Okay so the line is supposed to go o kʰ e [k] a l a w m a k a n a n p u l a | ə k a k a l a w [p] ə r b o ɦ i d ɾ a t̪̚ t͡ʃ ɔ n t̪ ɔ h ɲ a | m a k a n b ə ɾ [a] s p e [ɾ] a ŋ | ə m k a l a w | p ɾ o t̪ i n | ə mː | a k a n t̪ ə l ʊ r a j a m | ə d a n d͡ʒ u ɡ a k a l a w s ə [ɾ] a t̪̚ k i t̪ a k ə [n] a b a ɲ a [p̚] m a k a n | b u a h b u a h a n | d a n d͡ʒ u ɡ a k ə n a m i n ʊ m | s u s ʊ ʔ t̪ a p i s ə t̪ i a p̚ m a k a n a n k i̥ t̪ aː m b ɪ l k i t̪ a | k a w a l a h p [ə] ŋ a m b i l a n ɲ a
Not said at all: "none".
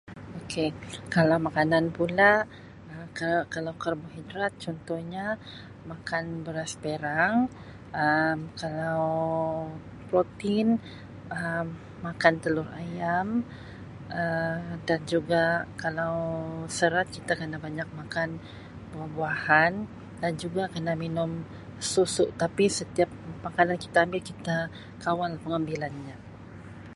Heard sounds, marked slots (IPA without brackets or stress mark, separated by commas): k, k, a, ɾ, ɾ, n, k̚, ə